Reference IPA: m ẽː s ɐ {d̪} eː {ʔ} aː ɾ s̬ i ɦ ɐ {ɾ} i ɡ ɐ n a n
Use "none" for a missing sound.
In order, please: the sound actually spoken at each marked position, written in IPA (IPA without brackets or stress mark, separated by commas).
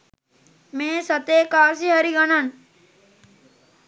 t̪, k, ɾ